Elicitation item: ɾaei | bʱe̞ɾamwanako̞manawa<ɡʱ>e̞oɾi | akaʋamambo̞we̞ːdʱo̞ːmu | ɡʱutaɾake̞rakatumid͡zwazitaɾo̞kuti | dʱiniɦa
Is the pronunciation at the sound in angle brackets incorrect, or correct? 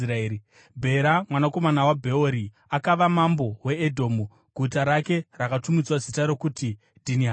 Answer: incorrect: bʱ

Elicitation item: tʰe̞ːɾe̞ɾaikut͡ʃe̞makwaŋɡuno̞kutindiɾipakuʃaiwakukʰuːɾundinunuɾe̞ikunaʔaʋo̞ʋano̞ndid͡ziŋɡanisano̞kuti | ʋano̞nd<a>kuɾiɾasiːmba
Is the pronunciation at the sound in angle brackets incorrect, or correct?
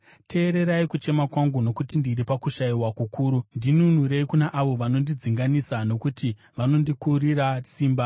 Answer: incorrect: i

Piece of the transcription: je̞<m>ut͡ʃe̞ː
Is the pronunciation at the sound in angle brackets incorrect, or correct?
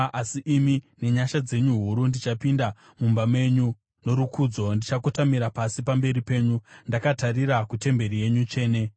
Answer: incorrect: ɲ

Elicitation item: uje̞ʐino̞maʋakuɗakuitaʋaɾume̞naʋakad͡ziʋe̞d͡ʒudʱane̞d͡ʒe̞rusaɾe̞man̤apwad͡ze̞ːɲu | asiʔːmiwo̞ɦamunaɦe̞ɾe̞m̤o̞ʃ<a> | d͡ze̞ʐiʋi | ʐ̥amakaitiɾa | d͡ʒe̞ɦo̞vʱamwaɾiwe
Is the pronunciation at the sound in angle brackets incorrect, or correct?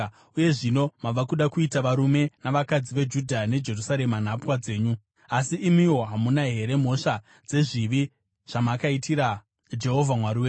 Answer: correct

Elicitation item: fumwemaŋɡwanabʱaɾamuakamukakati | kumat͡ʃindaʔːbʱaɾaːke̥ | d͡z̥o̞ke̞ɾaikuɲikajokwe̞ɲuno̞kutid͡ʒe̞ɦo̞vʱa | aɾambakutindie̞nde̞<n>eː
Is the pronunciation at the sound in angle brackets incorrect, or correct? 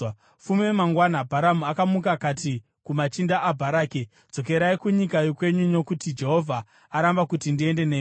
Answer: correct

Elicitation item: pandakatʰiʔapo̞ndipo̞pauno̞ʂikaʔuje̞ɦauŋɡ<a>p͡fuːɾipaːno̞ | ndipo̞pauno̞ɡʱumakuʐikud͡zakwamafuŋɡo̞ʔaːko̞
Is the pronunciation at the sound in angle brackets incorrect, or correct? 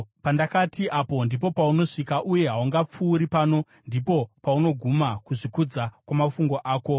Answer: correct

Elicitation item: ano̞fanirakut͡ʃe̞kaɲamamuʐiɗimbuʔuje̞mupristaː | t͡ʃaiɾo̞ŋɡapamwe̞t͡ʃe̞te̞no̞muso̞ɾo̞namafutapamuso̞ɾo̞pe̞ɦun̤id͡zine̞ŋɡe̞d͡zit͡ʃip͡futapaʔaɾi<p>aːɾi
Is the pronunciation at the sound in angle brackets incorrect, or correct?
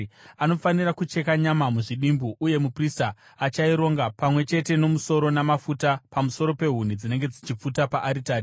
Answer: incorrect: t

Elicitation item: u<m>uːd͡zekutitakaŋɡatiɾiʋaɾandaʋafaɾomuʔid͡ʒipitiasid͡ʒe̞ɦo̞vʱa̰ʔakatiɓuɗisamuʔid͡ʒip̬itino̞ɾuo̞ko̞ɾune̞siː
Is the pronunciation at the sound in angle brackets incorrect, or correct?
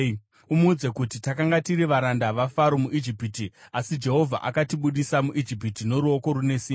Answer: correct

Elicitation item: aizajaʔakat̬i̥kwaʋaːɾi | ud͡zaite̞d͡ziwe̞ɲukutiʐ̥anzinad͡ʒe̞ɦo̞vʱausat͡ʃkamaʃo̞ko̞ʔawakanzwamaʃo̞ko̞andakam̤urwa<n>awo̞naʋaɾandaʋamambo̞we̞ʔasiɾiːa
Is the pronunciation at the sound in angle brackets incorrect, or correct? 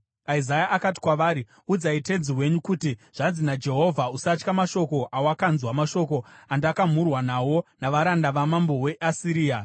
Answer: correct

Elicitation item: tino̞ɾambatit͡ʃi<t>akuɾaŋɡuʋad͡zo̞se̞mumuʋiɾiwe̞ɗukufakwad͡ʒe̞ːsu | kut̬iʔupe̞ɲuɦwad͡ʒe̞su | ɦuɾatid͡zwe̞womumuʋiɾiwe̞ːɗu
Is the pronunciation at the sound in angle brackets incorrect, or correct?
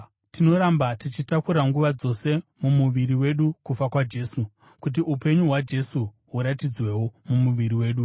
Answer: correct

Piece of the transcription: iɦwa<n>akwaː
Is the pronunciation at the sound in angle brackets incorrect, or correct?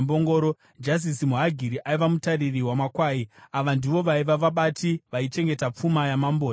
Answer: incorrect: m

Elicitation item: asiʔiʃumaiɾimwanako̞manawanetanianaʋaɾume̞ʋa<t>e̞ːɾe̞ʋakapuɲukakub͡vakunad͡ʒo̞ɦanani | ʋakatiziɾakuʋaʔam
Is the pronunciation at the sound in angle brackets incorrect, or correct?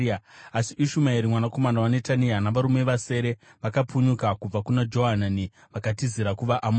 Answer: incorrect: s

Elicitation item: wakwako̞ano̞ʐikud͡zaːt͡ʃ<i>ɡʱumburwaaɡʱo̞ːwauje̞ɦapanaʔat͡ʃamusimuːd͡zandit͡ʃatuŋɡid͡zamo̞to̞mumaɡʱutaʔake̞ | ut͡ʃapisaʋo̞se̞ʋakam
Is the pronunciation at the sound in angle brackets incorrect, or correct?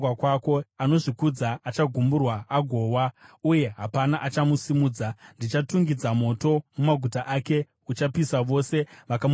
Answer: incorrect: a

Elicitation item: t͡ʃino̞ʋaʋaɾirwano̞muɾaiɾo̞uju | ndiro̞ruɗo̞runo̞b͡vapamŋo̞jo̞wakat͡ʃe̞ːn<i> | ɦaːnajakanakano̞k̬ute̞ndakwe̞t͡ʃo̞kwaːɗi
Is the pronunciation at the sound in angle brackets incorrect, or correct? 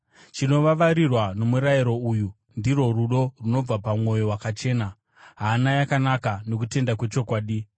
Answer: incorrect: a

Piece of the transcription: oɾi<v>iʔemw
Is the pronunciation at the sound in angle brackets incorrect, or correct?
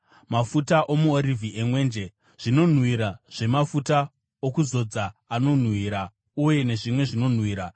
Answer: correct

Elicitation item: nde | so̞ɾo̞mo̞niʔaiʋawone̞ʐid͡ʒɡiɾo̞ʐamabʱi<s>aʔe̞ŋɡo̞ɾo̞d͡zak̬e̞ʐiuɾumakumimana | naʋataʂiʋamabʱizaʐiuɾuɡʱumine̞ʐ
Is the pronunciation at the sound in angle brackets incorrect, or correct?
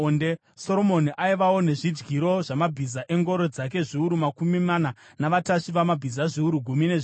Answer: incorrect: z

